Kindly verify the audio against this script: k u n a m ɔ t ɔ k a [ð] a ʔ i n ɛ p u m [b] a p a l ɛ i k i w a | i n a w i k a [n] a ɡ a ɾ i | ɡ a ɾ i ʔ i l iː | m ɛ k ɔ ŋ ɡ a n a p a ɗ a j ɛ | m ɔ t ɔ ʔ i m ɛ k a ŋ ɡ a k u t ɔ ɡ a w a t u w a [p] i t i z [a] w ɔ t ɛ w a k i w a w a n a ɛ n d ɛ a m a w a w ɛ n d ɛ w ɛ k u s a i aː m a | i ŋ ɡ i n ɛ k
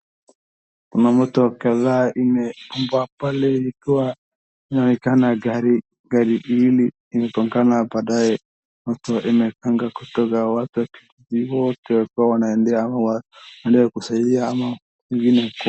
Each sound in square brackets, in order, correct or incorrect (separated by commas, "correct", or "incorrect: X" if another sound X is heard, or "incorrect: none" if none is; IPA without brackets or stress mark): correct, correct, correct, incorrect: k, incorrect: i